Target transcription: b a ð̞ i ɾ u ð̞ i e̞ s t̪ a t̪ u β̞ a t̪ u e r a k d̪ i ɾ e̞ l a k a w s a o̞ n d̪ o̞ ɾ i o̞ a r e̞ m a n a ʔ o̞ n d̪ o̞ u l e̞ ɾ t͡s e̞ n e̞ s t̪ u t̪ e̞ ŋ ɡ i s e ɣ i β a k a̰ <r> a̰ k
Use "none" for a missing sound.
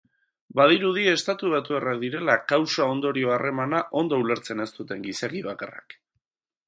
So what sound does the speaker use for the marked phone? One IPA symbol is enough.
r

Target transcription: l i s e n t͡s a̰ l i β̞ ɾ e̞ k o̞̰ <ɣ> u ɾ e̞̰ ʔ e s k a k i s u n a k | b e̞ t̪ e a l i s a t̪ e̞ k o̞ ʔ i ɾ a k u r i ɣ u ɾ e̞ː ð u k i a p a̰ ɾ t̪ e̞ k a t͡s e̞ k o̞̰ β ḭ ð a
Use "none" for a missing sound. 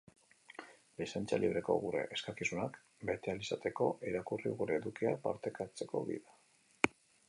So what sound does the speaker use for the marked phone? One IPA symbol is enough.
ɣ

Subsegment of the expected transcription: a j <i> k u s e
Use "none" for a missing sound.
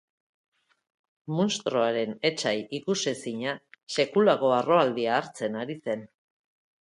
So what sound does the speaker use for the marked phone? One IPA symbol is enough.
i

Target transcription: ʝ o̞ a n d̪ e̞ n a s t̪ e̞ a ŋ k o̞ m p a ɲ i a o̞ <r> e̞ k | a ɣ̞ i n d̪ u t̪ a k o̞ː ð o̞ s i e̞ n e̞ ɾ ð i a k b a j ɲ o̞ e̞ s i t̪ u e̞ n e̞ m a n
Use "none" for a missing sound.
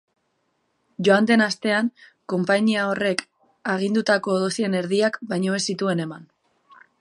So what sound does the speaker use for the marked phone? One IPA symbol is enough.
r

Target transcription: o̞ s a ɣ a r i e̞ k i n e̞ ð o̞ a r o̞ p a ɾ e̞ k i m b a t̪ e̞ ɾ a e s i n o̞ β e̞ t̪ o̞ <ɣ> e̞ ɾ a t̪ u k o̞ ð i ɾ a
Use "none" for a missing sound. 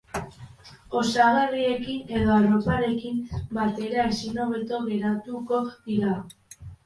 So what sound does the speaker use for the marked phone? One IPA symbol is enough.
ɣ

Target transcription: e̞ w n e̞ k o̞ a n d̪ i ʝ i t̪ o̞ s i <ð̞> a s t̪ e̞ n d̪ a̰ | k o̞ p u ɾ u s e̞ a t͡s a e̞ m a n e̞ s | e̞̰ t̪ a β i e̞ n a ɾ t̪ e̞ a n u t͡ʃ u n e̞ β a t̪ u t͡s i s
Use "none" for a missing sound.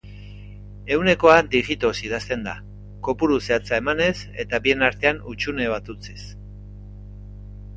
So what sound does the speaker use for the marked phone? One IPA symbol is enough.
ð̞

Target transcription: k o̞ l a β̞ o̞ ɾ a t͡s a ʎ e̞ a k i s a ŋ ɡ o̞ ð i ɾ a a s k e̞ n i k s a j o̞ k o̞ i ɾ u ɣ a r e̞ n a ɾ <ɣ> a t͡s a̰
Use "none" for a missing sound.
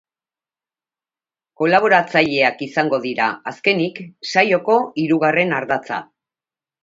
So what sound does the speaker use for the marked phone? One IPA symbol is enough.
ð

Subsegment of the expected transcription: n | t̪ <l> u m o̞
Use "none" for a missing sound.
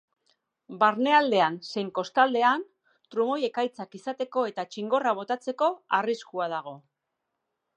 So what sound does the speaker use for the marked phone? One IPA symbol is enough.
ɾ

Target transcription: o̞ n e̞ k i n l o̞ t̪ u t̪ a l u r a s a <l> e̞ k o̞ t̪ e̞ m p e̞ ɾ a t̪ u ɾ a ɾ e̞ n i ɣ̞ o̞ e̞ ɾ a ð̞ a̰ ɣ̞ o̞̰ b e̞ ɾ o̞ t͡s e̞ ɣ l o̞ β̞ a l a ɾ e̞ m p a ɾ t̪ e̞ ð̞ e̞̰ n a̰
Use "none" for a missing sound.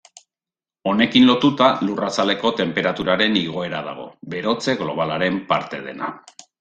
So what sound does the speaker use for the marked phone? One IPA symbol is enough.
l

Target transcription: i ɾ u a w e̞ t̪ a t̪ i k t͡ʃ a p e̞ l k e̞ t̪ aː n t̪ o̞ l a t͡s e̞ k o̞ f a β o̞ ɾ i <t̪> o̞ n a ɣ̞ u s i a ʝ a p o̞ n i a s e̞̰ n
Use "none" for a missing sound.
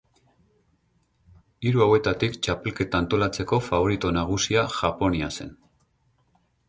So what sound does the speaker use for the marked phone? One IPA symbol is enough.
t̪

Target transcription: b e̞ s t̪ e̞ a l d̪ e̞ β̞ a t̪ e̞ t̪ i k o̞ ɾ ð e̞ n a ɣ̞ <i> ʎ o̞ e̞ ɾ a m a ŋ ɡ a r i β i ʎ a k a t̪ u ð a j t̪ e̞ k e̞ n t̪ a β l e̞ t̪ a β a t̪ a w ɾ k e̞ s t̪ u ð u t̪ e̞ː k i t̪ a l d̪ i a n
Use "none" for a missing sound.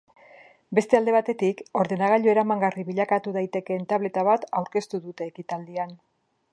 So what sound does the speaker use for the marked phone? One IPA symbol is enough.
a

